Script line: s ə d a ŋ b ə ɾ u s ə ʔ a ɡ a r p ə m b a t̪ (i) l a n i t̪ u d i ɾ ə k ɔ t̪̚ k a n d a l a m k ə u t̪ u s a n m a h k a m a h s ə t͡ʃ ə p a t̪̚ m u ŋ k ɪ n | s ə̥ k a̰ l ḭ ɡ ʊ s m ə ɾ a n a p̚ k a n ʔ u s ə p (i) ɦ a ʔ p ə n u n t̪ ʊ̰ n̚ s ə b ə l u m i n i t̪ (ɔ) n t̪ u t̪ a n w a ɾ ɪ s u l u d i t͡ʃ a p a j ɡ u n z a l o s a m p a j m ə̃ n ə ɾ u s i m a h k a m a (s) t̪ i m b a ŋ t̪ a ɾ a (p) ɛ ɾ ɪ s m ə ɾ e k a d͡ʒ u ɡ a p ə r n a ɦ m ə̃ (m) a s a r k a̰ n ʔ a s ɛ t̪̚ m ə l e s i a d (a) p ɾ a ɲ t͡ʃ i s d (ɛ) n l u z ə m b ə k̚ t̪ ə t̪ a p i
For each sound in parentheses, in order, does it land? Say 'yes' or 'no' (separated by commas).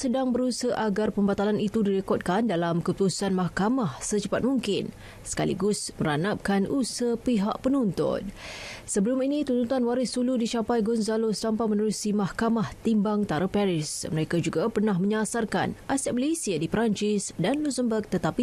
no, yes, no, no, yes, no, no, no